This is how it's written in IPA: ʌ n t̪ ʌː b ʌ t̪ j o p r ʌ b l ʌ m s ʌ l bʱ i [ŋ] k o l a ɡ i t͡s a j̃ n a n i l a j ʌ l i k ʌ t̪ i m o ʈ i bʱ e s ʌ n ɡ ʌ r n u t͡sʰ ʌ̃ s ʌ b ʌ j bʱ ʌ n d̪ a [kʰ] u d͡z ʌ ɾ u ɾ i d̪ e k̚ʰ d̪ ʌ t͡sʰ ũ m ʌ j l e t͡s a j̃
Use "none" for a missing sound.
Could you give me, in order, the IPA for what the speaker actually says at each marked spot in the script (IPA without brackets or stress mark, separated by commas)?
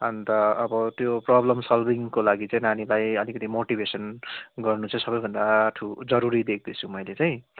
ŋ, ʈʰ